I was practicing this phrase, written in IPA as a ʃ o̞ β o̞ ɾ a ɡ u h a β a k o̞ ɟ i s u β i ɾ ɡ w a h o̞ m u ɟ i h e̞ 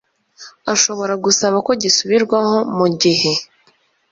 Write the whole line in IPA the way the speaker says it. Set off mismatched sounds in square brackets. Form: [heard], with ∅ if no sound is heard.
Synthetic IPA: a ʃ o̞ β o̞ ɾ a ɡ u [s] a β a k o̞ ɟ i s u β i ɾ ɡ w a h o̞ m u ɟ i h e̞